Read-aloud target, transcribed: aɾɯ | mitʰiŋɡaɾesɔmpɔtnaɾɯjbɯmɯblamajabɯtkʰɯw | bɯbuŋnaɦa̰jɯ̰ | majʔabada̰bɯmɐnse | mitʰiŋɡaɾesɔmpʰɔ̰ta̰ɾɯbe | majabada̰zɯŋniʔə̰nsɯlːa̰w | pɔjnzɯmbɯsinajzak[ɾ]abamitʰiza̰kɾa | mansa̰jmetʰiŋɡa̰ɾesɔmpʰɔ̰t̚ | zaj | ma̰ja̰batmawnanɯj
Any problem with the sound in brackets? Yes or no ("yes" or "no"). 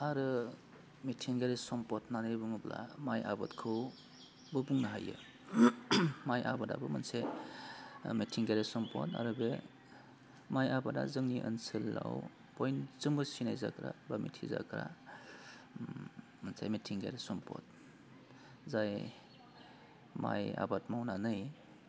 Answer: no